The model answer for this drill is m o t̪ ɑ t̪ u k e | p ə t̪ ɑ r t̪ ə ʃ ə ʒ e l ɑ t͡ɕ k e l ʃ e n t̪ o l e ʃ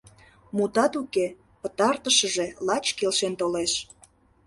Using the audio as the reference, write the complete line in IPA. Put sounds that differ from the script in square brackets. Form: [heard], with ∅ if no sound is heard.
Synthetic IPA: m [u] t̪ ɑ t̪ u k e | p ə t̪ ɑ r t̪ ə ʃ ə ʒ e l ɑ t͡ɕ k e l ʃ e n t̪ o l e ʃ